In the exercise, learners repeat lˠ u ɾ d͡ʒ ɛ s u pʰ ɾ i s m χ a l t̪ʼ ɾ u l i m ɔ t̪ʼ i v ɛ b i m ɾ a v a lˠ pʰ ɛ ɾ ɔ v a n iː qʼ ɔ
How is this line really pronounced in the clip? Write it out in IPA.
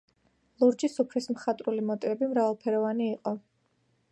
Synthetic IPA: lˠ u ɾ d͡ʒ i s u pʰ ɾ i s m χ a t̪ʼ ɾ u l i m ɔ t̪ʼ i v ɛ b i m ɾ a v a lˠ pʰ ɛ ɾ ɔ v a n iː qʼ ɔ